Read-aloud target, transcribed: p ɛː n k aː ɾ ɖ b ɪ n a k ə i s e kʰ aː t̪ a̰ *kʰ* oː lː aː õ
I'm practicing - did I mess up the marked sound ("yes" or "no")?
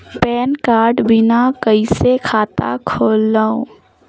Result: no